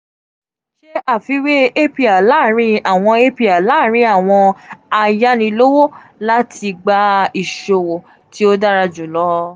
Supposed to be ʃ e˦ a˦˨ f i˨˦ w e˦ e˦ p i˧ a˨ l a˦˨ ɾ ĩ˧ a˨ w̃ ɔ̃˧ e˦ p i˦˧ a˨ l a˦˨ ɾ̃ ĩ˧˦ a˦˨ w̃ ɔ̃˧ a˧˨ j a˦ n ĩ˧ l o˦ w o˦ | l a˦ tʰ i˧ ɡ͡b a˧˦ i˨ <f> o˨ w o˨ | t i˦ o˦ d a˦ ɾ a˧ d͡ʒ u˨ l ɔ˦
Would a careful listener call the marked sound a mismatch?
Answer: yes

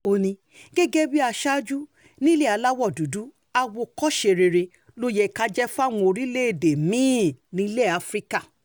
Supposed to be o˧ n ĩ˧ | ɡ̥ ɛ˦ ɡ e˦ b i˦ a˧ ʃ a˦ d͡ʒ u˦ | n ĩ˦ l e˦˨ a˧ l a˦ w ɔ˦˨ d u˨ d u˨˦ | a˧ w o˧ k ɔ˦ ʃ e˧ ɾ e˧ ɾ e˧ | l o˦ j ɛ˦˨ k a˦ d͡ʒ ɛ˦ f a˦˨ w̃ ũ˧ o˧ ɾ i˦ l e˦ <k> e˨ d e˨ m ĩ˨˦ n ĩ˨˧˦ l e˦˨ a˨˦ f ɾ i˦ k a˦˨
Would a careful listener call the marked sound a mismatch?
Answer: yes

